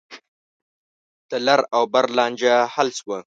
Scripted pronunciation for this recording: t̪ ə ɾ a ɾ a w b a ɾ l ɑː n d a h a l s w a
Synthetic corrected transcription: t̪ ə l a ɾ a w b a ɾ l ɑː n d͡ʒ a h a l s w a